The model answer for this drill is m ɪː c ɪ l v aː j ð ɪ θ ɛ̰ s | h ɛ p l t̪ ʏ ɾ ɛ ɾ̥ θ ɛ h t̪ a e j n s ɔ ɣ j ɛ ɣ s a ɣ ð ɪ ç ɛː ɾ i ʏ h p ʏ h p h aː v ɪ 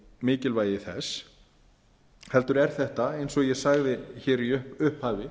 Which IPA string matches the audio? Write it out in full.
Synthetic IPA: m ɪː c ɪ l v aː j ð ɪ θ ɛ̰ s | h ɛ l t̪ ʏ ɾ ɛ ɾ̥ θ ɛ h t̪ a e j n s ɔ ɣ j ɛ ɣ s a ɣ ð ɪ ç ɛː ɾ i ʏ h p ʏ h p h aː v ɪ